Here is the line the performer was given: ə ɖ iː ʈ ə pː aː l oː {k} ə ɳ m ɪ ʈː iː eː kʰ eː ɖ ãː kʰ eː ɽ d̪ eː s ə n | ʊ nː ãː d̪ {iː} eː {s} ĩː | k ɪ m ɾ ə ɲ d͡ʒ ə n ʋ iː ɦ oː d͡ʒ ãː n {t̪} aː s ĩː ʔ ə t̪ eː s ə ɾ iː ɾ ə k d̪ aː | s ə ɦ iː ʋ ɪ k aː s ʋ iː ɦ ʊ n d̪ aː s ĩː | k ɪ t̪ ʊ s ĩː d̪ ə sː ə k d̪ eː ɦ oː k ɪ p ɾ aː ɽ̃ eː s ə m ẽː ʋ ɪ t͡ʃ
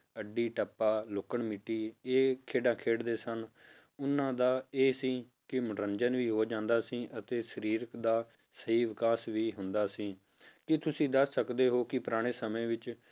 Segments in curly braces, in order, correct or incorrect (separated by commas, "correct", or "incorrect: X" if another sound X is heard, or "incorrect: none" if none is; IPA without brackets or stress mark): correct, incorrect: aː, correct, incorrect: d̪